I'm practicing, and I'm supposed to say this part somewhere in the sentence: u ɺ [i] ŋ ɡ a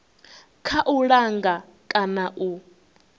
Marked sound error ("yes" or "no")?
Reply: yes